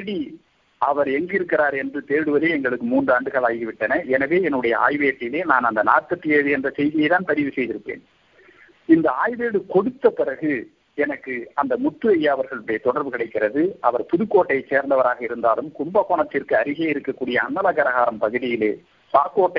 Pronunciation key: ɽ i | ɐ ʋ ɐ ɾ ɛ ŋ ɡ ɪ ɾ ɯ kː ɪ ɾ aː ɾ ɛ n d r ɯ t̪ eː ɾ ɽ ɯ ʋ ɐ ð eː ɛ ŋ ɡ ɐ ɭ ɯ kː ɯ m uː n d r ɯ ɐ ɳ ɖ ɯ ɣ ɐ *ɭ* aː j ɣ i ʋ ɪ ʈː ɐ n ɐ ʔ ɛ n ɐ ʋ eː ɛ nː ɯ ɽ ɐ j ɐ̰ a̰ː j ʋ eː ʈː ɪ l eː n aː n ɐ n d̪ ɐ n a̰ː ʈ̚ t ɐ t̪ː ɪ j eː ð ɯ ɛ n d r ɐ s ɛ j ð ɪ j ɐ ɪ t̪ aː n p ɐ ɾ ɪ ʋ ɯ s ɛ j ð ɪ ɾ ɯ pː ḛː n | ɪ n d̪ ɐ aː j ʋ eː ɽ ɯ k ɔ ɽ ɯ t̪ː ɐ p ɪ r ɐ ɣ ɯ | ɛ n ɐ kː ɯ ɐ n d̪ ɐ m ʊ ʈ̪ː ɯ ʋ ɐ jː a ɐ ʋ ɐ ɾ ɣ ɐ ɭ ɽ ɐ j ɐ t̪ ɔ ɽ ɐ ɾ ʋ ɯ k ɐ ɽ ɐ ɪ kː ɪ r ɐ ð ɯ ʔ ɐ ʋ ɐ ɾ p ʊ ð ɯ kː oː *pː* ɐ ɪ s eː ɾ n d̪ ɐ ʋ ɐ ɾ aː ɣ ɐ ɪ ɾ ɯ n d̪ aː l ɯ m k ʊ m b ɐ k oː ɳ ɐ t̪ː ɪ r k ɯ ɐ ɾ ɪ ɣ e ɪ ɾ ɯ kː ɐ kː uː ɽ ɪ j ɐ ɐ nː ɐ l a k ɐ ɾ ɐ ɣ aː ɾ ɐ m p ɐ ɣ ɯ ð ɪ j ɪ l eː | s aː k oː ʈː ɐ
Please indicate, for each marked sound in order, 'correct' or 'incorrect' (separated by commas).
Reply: correct, incorrect